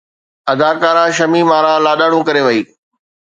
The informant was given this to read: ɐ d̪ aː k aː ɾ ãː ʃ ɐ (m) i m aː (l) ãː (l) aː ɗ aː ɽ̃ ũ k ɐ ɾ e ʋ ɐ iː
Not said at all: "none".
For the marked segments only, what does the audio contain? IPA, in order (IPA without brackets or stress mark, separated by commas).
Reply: m, ɾ, l